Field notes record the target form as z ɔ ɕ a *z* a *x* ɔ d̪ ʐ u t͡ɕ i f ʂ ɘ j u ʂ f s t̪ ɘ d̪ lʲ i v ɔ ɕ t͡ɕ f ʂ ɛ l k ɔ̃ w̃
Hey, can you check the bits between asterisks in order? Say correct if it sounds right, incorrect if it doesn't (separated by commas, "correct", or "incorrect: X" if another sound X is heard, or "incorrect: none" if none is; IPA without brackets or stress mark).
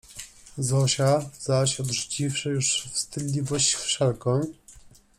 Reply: correct, incorrect: ɕ